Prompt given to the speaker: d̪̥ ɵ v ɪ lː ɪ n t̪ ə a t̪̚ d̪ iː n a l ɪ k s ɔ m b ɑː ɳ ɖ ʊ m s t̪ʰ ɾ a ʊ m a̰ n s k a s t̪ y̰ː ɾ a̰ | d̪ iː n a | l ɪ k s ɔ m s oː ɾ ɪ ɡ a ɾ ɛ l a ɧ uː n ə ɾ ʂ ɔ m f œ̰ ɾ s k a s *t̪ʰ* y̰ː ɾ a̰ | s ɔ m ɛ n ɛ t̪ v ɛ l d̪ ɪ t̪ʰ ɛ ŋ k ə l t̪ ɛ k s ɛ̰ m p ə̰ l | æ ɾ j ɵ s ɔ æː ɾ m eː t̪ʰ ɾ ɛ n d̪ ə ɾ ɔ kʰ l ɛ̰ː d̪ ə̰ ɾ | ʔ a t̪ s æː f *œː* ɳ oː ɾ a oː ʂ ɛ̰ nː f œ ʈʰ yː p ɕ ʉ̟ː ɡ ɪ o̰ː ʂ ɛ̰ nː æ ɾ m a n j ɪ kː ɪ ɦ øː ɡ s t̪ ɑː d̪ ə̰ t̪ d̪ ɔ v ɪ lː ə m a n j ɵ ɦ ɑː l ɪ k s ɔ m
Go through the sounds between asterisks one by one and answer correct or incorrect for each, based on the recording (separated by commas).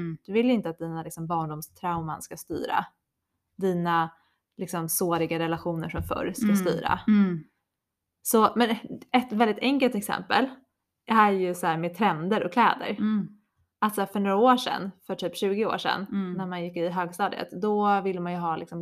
incorrect, incorrect